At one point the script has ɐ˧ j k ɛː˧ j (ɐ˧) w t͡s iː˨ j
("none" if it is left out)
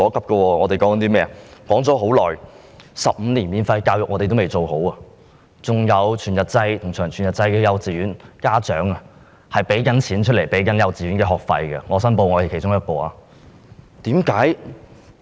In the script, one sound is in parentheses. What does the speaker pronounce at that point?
ɐ˧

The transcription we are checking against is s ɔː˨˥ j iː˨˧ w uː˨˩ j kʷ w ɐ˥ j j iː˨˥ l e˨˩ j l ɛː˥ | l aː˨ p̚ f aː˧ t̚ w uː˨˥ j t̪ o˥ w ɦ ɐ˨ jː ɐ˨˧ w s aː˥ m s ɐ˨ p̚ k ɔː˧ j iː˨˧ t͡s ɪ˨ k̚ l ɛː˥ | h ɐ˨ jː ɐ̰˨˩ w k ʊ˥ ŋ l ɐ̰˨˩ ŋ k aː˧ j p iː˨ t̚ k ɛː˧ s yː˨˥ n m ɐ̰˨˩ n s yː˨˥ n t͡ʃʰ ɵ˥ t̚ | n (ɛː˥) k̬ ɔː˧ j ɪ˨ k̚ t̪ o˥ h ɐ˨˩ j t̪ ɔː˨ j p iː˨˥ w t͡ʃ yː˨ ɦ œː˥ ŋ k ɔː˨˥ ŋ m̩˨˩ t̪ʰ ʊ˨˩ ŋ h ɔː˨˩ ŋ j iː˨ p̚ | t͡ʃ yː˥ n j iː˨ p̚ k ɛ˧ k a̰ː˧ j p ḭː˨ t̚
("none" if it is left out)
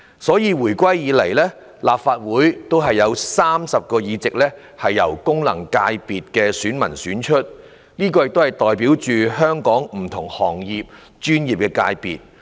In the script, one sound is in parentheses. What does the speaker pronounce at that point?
iː˥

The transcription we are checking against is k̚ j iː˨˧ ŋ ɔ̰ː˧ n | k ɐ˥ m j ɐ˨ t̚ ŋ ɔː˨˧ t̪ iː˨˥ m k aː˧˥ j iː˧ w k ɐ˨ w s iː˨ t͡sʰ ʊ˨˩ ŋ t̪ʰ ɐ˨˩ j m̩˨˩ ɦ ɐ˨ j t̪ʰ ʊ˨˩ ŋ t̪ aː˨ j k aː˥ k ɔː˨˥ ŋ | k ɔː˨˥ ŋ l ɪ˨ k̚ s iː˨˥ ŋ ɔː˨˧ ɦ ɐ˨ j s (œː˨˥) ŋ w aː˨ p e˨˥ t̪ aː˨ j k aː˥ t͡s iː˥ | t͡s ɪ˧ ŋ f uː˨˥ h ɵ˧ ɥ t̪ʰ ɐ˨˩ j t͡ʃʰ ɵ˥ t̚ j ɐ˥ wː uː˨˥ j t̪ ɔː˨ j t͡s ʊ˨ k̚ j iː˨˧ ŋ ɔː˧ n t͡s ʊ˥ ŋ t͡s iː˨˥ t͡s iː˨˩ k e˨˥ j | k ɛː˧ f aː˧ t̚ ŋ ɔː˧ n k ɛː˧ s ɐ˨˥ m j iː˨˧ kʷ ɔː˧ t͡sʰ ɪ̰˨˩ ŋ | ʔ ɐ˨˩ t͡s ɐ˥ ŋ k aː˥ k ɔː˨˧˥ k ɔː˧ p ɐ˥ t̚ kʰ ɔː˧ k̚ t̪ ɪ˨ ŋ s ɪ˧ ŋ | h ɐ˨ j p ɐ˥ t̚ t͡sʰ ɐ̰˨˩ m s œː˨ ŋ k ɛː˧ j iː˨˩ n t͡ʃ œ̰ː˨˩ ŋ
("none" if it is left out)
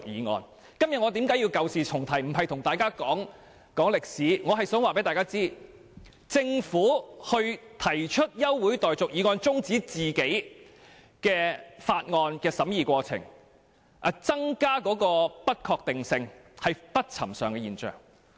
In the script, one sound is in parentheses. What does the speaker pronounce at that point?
œː˨˥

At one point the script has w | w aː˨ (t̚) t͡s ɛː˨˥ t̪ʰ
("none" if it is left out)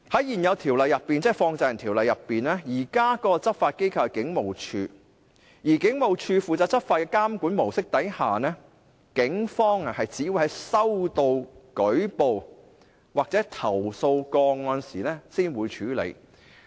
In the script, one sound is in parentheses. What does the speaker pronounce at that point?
k̚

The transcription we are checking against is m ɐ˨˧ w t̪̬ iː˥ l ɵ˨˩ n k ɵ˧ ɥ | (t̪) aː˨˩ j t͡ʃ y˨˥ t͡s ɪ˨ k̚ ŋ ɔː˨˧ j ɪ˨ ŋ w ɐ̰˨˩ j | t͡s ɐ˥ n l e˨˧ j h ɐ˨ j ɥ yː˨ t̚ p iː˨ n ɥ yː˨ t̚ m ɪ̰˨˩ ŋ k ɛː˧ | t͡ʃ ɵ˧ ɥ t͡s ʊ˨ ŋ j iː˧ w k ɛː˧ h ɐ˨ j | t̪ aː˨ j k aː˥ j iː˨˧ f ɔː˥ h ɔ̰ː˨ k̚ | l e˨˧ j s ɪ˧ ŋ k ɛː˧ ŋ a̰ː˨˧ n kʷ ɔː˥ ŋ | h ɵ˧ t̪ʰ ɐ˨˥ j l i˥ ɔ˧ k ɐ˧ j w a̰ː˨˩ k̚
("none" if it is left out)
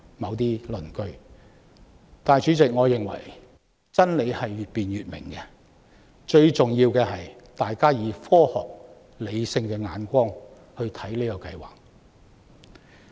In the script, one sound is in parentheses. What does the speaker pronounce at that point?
t̪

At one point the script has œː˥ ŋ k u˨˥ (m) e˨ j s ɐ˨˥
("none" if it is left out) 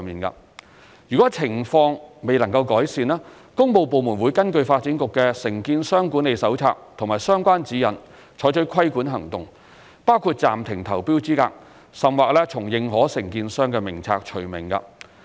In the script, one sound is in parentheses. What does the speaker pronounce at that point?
n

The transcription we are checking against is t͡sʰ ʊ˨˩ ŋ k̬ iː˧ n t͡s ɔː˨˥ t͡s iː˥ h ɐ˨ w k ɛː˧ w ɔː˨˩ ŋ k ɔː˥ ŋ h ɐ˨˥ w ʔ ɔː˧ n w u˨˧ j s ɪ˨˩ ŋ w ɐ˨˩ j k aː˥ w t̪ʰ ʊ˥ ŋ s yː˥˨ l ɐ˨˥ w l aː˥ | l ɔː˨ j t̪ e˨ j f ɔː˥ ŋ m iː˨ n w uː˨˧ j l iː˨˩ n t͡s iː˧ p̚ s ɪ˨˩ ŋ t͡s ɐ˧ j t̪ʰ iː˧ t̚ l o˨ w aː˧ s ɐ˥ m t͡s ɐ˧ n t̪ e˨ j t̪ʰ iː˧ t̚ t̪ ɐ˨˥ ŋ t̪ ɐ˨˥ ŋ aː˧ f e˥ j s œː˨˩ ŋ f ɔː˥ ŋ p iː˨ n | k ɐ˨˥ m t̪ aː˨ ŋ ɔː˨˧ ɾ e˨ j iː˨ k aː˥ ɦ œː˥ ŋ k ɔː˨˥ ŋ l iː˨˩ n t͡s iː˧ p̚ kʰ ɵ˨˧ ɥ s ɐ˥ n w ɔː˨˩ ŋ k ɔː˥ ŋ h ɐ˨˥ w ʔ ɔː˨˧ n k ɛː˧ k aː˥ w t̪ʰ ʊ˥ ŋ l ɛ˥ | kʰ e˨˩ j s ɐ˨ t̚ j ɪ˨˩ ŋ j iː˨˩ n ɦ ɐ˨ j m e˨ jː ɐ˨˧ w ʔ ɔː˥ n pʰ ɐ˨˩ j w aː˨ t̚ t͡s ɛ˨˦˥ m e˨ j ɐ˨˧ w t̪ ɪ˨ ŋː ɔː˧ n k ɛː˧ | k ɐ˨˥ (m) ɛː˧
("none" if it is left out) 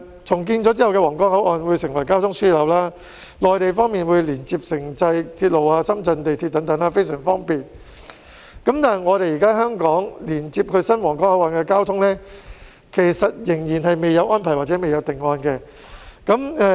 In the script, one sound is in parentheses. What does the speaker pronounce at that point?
m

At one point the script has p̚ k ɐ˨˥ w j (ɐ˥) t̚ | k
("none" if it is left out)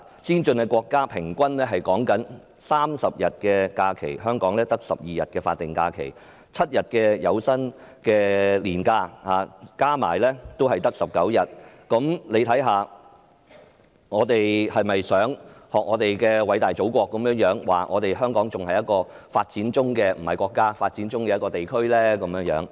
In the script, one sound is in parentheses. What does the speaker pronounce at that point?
ɐ˨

